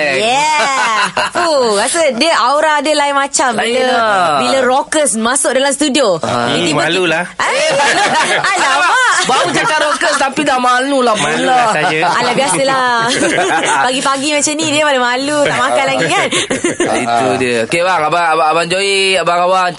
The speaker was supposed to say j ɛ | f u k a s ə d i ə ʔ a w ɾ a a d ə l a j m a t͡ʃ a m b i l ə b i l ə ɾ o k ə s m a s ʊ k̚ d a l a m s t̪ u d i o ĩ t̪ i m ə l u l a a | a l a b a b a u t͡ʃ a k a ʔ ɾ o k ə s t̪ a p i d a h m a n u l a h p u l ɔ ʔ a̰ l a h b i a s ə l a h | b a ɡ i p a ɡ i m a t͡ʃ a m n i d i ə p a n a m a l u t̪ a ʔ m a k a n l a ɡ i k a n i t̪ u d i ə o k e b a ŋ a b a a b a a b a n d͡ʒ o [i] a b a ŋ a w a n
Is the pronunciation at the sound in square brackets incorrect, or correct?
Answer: correct